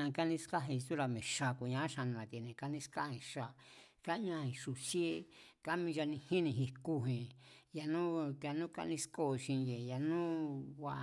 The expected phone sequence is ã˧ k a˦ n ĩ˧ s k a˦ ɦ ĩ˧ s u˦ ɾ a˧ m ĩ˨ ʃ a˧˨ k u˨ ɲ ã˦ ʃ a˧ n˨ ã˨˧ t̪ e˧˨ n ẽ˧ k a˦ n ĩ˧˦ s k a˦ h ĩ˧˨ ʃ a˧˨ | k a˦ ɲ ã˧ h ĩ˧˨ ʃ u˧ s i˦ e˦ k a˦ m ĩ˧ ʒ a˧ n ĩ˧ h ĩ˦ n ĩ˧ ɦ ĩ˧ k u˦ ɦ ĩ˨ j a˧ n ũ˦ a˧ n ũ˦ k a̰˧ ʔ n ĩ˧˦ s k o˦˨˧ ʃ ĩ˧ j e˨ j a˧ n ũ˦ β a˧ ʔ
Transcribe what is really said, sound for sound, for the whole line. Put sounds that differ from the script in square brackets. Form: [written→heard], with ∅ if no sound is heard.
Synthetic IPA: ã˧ k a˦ n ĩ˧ s k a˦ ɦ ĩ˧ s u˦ ɾ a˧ m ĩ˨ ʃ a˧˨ k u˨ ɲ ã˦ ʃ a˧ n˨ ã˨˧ t̪ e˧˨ n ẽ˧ k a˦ n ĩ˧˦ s k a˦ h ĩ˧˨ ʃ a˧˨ | k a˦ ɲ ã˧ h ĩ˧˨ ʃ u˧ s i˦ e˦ k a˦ m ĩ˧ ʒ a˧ n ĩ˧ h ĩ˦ n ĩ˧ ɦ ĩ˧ k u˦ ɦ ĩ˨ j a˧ n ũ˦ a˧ n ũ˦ k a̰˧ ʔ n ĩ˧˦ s k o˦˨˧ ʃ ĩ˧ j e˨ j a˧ n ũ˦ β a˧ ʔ